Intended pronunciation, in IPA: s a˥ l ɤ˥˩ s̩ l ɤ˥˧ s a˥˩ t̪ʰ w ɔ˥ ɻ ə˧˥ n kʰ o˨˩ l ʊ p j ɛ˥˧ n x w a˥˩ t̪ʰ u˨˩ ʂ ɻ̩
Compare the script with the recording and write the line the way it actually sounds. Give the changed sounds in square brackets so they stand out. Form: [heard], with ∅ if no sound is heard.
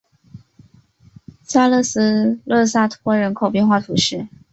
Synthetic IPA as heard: s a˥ l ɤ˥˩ s̩ l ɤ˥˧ s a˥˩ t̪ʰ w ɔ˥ ɻ ə˧˥ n kʰ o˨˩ [∅] ʊ p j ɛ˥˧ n x w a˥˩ t̪ʰ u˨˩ ʂ ɻ̩